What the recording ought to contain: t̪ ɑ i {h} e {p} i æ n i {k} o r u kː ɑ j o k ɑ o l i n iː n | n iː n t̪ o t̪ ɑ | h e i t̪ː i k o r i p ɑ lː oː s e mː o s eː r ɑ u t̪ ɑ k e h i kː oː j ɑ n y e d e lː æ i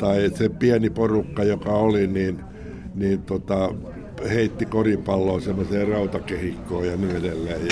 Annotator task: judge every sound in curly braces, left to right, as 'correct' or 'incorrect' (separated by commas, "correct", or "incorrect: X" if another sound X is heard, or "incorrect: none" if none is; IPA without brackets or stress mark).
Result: incorrect: s, correct, incorrect: p